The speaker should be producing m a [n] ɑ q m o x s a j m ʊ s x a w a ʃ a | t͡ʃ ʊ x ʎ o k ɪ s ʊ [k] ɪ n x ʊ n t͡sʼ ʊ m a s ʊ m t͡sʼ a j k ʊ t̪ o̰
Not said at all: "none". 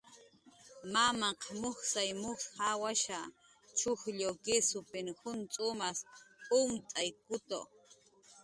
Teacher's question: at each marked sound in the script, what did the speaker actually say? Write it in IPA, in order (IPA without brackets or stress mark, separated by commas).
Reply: m, p